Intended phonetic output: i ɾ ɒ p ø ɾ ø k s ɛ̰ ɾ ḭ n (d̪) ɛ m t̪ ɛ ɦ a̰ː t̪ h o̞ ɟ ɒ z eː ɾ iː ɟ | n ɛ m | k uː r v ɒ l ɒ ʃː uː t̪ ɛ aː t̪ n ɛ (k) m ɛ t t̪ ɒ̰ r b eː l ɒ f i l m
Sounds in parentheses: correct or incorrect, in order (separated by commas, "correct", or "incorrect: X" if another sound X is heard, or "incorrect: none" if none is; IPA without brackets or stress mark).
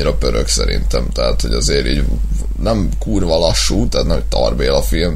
incorrect: t̪, incorrect: none